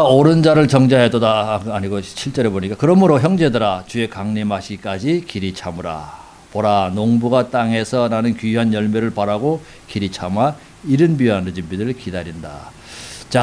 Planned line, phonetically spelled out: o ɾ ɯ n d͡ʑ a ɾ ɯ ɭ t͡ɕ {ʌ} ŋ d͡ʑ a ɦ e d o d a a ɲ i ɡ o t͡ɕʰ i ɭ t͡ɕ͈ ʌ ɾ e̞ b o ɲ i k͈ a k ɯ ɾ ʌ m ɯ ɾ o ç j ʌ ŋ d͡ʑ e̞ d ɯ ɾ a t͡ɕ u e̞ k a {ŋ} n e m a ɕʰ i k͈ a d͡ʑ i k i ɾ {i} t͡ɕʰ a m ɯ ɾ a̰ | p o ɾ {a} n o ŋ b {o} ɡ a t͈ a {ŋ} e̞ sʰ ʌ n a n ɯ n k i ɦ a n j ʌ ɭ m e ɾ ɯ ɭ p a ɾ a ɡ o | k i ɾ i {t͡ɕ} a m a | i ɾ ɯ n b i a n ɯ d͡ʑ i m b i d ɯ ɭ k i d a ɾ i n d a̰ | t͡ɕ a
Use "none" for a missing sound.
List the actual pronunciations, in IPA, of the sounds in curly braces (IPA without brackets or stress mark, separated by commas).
ʌ, ŋ, i, a, u, ŋ, t͡ɕʰ